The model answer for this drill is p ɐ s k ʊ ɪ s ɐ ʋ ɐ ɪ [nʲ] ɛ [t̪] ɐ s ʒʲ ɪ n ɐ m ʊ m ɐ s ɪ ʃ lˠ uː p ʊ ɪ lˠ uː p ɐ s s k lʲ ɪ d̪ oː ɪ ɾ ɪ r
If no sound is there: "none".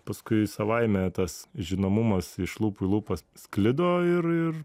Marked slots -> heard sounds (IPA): mʲ, t̪

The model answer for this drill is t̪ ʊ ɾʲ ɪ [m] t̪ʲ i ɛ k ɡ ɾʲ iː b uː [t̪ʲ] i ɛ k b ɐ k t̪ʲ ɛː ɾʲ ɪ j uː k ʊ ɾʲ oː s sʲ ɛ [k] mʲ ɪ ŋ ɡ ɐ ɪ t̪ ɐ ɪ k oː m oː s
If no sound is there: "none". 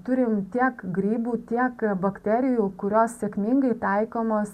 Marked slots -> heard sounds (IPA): m, t̪ʲ, k

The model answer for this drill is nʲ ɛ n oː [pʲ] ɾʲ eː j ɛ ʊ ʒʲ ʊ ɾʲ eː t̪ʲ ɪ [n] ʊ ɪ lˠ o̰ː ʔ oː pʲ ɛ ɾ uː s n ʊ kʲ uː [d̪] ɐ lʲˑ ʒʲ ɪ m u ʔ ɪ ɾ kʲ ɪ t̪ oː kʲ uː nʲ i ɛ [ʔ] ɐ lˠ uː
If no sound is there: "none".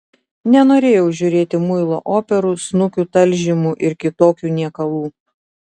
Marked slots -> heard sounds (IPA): none, m, t̪, k

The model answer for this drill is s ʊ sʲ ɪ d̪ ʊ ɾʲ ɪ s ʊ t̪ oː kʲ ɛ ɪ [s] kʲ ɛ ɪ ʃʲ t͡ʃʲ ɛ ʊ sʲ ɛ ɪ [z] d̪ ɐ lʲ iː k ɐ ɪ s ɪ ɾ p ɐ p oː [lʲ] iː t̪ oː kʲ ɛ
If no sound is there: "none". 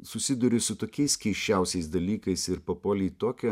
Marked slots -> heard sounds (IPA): s, s, lʲ

